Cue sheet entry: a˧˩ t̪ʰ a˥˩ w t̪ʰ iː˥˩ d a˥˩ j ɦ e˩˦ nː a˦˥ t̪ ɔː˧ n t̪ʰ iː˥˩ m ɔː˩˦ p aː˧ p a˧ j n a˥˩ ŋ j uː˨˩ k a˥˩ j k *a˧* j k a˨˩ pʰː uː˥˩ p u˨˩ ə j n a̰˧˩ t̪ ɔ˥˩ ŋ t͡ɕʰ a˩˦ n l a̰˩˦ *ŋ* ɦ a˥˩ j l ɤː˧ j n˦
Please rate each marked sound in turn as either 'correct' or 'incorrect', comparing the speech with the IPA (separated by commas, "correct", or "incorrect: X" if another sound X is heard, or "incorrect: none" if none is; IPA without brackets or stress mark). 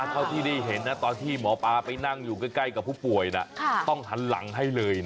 incorrect: a˥˩, correct